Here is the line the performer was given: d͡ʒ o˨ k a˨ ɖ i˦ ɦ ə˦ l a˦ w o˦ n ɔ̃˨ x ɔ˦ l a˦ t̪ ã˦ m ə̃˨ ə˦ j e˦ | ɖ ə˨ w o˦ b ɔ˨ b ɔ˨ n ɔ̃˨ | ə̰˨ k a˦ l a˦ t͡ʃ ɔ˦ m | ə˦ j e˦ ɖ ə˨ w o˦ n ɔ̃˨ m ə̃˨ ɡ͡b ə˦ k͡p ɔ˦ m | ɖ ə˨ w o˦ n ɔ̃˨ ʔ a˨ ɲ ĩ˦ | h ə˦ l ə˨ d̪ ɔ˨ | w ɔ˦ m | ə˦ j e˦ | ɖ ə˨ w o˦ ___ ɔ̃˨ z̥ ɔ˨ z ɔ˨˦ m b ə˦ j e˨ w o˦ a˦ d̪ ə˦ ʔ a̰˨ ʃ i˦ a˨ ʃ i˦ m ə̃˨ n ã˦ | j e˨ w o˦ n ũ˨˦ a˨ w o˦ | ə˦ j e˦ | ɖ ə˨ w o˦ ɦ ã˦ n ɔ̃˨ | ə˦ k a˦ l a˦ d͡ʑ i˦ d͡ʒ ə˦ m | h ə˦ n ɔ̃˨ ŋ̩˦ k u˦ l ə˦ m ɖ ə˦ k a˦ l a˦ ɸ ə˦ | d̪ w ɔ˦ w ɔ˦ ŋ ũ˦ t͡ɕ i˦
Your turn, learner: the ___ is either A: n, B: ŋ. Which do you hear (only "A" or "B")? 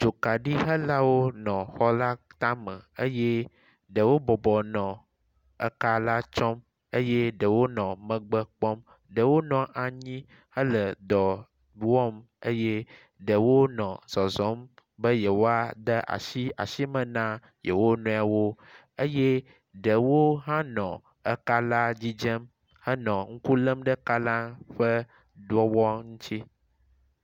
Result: A